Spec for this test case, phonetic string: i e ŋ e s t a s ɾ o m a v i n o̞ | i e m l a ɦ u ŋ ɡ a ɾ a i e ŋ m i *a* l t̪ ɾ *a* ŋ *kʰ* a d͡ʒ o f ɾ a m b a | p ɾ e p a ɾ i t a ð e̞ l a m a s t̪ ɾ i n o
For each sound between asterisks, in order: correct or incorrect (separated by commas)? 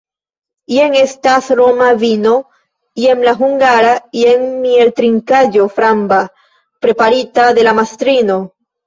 incorrect, incorrect, incorrect